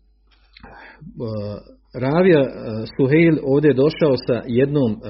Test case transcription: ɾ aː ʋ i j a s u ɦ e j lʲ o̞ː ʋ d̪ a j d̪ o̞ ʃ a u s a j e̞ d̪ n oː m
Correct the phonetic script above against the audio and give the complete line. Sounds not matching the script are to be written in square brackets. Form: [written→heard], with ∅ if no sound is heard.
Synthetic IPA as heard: ɾ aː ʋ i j a s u ɦ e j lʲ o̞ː ʋ d̪ [a→e] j d̪ o̞ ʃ a [u→o] s a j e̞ d̪ n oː m